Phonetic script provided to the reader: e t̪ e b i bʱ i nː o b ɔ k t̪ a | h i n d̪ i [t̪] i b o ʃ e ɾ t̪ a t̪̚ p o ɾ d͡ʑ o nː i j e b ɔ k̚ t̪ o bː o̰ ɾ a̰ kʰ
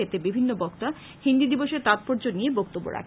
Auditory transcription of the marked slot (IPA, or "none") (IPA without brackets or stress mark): d̪